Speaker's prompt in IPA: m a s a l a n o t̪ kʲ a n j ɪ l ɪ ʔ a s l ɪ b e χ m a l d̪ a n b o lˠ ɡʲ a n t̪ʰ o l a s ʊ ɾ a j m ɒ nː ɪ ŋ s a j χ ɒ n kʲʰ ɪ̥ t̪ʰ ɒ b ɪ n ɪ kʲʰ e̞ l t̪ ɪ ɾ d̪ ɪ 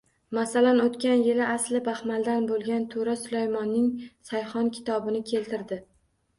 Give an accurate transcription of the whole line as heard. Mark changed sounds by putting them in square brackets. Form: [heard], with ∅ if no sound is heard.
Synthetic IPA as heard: m a s a l a n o t̪ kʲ a n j ɪ l ɪ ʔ a s l ɪ b [a] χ m a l d̪ a n b o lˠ ɡʲ a n t̪ʰ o [ɾ] a s ʊ [l] a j m ɒ nː ɪ ŋ s a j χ ɒ n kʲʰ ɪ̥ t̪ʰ ɒ b ɪ n ɪ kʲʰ e̞ l t̪ ɪ ɾ d̪ ɪ